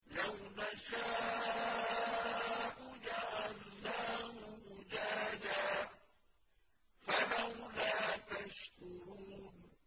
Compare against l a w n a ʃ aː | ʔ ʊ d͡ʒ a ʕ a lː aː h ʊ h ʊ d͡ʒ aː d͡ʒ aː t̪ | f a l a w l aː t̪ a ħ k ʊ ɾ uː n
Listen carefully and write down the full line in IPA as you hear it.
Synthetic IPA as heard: l a w n a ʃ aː | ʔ ʊ d͡ʒ a ʕ a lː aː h ʊ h ʊ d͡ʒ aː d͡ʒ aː | f a l a w l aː t̪ a ʃ k ʊ ɾ uː n